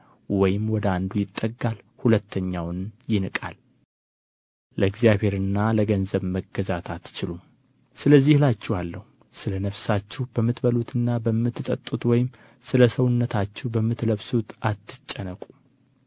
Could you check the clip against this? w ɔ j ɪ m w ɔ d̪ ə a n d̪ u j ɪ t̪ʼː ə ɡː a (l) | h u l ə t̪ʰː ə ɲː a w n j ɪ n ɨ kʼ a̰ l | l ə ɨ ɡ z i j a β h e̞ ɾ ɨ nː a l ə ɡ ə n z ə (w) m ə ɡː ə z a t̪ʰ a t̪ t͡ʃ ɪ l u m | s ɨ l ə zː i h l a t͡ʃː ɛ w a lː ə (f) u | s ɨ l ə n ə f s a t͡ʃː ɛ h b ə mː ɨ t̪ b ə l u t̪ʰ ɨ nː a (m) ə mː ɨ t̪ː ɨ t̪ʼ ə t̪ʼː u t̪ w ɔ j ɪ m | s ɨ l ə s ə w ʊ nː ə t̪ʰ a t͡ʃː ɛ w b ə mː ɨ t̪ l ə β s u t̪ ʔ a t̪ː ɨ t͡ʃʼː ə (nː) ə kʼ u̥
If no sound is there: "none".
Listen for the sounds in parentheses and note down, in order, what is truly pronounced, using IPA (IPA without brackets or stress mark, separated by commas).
l, β, h, b, n